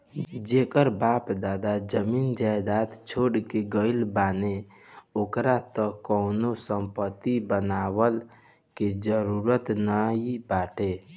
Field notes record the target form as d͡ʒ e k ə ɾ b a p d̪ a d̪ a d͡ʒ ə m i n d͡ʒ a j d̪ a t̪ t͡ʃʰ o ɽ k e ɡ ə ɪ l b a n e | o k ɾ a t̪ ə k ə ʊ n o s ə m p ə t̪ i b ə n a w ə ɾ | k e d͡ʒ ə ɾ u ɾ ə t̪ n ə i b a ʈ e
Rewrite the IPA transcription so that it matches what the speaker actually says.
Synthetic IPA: d͡ʒ e k ə ɾ b a p d̪ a d̪ a d͡ʒ ə m i n d͡ʒ a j d̪ a t̪ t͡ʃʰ o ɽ k e ɡ ə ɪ l b a n e | o k ɾ a t̪ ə k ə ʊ n o s ə m p ə t̪ i b ə n a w ə l | k e d͡ʒ ə ɾ u ɾ ə t̪ n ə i b a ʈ e